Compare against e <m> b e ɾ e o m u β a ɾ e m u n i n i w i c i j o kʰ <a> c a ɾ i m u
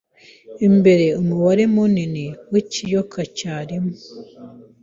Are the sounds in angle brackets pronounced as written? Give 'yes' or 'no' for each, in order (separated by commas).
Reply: yes, yes